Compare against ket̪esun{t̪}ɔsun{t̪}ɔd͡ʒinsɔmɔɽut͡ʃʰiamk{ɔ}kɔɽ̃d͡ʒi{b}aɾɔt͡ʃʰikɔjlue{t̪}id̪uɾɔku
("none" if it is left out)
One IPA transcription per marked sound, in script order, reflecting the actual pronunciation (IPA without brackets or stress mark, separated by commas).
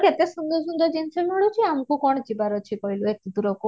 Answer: d̪, d̪, u, b, t̪